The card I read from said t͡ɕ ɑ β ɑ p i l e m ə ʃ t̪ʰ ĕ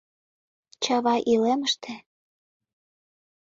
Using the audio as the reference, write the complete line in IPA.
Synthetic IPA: t͡ɕ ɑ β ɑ ʔ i l e m ə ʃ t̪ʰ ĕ